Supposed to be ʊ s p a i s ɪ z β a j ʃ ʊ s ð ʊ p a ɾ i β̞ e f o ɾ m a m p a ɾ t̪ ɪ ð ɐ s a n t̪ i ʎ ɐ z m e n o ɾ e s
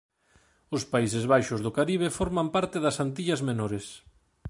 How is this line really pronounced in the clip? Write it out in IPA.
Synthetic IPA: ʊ s p a i s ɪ z β a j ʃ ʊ z ð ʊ k a ɾ i β̞ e f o ɾ m a m p a ɾ t̪ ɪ ð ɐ s a n t̪ i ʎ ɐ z m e n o ɾ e s

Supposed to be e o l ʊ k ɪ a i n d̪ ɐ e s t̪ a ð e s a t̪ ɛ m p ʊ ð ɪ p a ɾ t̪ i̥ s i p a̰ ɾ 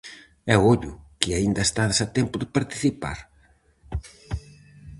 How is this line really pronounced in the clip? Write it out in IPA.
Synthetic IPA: ɛ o ʎ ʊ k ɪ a i n d̪ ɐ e s t̪ a ð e s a t̪ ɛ m p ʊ ð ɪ p a ɾ t̪ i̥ θ i p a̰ ɾ

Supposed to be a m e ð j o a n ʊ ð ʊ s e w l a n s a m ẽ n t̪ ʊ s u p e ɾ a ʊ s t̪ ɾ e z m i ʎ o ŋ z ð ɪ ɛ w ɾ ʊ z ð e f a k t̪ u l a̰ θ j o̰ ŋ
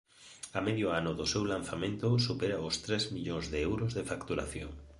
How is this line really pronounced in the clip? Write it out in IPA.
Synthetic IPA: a m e ð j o a n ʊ ð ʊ s e w l a n θ a m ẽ n t̪ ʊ s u p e ɾ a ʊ s t̪ ɾ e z m i ʎ o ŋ z ð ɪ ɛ w ɾ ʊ z ð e f a k t̪ u ɾ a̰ θ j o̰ ŋ

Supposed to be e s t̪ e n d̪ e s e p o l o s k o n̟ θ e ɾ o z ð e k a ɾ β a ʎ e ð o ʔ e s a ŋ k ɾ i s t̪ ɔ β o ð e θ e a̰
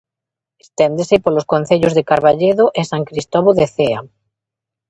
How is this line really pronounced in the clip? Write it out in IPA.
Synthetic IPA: e s t̪ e n d̪ e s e p o l o s k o n̟ θ e ʎ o z ð e k a ɾ β a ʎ e ð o ʔ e s a ŋ k ɾ i s t̪ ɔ β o ð e θ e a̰

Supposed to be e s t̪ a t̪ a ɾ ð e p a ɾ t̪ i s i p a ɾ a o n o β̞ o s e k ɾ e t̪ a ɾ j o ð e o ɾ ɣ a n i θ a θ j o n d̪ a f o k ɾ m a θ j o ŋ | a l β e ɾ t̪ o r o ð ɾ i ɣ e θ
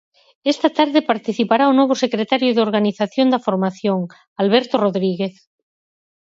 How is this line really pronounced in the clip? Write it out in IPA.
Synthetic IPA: e s t̪ a t̪ a ɾ ð e p a ɾ t̪ i θ i p a ɾ a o n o β̞ o s e k ɾ e t̪ a ɾ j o ð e o ɾ ɣ a n i θ a θ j o n d̪ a f o ɾ m a θ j o ŋ | a l β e ɾ t̪ o r o ð ɾ i ɣ e θ

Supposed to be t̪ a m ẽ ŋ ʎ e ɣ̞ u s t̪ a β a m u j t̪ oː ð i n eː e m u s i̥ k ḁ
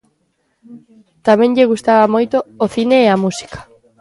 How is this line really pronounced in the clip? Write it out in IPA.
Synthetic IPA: t̪ a m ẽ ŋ ʎ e ɣ̞ u s t̪ a β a m o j t̪ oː θ i n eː a m u s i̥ k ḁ

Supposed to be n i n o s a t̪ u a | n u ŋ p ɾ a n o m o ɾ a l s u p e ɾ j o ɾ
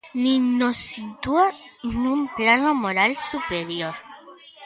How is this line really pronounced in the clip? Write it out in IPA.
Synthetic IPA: n i n o s i t̪ u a | n u m p l a n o m o ɾ a l s u p e ɾ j o ɾ

